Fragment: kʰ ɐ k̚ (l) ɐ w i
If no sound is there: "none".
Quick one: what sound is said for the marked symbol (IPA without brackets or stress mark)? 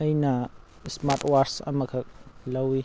l